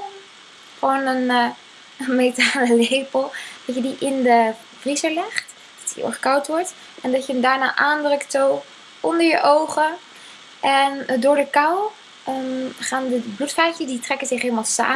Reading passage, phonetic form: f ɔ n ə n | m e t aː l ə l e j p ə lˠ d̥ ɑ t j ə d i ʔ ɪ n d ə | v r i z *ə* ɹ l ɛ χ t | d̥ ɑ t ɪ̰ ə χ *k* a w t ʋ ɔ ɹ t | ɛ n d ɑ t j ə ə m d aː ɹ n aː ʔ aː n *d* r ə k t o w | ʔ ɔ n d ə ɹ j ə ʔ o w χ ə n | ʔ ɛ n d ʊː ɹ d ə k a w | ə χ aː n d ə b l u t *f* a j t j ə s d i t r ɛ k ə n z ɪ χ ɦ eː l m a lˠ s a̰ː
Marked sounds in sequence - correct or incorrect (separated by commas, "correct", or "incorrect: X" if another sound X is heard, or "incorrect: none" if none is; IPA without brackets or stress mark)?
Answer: correct, correct, correct, correct